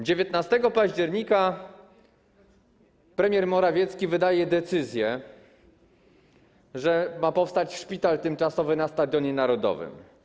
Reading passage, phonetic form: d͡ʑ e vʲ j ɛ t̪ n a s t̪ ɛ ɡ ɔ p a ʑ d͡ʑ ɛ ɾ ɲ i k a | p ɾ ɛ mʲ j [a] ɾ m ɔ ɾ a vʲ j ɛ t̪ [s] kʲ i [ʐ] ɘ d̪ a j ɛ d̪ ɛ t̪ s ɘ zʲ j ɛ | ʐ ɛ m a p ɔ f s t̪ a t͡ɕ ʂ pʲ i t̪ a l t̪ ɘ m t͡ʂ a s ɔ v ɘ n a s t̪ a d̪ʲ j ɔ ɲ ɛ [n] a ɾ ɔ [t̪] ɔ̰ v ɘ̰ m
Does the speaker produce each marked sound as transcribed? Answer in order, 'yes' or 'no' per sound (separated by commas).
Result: no, yes, no, yes, no